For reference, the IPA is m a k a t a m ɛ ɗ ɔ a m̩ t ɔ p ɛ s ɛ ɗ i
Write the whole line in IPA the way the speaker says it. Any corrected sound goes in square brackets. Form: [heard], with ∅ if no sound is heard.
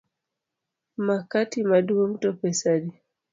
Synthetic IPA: m a k a t [i] m [a] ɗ [u] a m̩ t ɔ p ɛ s [a] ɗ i